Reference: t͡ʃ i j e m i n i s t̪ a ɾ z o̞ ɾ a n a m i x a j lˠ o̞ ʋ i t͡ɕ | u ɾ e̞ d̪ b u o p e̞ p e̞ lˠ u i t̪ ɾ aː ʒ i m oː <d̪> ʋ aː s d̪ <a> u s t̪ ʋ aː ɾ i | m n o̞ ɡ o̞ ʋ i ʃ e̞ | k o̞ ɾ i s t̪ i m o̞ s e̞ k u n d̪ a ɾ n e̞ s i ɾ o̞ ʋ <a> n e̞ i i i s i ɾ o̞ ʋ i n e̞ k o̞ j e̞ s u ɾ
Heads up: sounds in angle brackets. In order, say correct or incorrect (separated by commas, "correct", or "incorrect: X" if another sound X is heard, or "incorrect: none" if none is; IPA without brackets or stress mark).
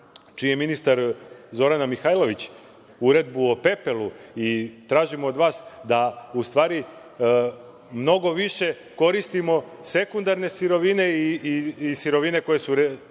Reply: correct, correct, incorrect: i